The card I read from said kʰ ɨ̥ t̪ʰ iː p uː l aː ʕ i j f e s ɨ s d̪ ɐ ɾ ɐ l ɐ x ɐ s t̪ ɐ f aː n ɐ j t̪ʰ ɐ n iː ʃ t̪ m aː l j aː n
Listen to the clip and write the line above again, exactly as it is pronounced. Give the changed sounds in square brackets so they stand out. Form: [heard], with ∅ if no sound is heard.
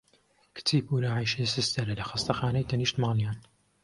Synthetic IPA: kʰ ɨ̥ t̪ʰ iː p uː l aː ʕ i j [ʃ] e s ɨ s [t̪] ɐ ɾ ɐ l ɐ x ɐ s t̪ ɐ [x] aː n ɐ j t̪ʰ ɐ n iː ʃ t̪ m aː l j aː n